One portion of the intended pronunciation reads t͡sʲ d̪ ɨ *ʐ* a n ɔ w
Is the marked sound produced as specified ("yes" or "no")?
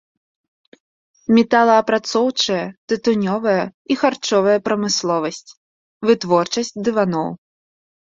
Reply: no